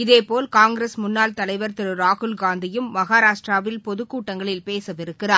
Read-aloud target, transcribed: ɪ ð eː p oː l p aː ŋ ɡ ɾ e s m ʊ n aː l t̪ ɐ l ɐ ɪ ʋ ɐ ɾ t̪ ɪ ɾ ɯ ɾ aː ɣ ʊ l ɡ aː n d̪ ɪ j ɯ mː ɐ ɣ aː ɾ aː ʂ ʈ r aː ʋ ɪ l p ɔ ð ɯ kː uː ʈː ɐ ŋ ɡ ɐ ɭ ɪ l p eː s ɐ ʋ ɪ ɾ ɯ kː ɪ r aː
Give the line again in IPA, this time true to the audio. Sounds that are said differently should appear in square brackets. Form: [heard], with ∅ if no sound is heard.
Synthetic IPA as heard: ɪ ð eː p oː l [k] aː ŋ ɡ ɾ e s m ʊ [nː] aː l t̪ ɐ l ɐ ɪ ʋ ɐ ɾ t̪ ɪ ɾ ɯ ɾ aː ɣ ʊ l ɡ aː n d̪ ɪ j ɯ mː ɐ ɣ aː ɾ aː ʂ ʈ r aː ʋ ɪ l p ɔ ð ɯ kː uː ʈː ɐ ŋ ɡ ɐ ɭ ɪ l p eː s ɐ ʋ ɪ ɾ ɯ kː ɪ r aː

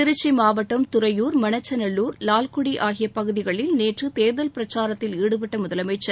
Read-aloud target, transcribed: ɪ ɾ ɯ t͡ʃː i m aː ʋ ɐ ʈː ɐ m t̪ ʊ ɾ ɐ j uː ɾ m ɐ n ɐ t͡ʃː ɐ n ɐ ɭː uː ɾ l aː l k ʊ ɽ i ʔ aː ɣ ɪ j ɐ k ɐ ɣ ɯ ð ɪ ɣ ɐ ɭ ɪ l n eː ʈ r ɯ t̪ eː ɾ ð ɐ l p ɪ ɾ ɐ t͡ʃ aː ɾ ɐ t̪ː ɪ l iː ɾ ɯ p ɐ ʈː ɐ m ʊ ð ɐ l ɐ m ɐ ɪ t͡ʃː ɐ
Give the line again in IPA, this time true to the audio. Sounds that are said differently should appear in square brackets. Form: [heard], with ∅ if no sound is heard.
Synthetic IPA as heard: ɪ ɾ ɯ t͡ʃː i m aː ʋ ɐ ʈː ɐ m t̪ ʊ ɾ ɐ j uː ɾ m ɐ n ɐ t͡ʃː ɐ n ɐ ɭː uː ɾ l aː l k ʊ ɽ i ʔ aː ɣ ɪ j ɐ [p] ɐ ɣ ɯ ð ɪ ɣ ɐ ɭ ɪ l n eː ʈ r ɯ t̪ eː ɾ ð ɐ l p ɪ ɾ ɐ t͡ʃ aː ɾ ɐ t̪ː ɪ l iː [ɽ] ɯ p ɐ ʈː ɐ m ʊ ð ɐ l ɐ m ɐ ɪ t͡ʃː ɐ

